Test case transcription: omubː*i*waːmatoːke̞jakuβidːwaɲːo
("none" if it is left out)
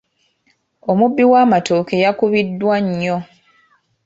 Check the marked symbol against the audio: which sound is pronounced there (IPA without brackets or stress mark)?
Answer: i